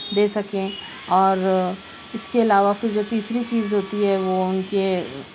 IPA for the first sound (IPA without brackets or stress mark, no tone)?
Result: d̪